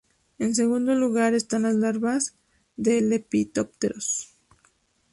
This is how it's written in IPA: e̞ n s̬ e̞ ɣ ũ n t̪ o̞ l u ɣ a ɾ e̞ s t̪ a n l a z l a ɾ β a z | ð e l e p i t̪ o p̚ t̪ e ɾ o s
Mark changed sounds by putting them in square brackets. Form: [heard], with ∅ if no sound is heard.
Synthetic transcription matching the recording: e̞ n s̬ e̞ ɣ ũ n [d̪] o̞ l u ɣ a ɾ e̞ s t̪ a n l a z l a ɾ β a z | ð e l e p i t̪ o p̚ t̪ e ɾ o s

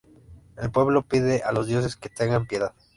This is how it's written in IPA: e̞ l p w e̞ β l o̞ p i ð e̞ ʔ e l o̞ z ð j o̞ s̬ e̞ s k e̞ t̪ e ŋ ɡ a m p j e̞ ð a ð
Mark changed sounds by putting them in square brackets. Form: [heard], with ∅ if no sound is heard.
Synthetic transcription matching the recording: e̞ l p w e̞ β l o̞ p i ð e̞ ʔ [a] l o̞ z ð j o̞ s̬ e̞ s k e̞ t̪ e ŋ ɡ a m p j e̞ ð a ð

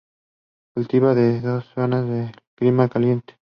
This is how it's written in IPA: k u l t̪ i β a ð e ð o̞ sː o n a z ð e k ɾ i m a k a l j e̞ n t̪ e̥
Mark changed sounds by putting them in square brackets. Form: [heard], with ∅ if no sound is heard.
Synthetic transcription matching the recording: k u l t̪ i β a ð e ð o̞ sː o n a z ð e k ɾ i m a k a l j e̞ n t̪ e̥

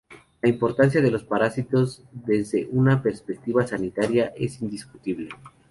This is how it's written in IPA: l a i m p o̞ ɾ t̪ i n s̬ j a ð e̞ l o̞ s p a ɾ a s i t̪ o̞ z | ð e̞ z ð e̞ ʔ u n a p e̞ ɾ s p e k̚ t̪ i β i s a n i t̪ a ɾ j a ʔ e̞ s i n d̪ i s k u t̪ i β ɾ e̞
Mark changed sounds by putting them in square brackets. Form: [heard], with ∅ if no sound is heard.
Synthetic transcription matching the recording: l a i m p o̞ ɾ t̪ [a] n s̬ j a ð e̞ l o̞ s p a ɾ a s i t̪ o̞ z | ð e̞ z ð e̞ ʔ u n a p e̞ ɾ s p e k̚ t̪ i β [a] s a n i t̪ a ɾ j a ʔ e̞ s i n d̪ i s k u t̪ i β [l] e̞

